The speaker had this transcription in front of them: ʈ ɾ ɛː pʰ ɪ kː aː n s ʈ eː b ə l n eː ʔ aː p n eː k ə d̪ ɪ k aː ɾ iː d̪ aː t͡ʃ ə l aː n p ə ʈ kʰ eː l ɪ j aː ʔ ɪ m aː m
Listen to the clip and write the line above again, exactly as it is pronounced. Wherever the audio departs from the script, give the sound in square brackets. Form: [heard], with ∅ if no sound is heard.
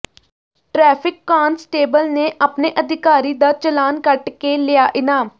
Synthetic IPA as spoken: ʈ ɾ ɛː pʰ ɪ kː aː n s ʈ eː b ə l n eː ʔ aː p n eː [ʔ] ə d̪ ɪ k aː ɾ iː d̪ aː t͡ʃ ə l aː n [k] ə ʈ [k] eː l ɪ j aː ʔ ɪ [n] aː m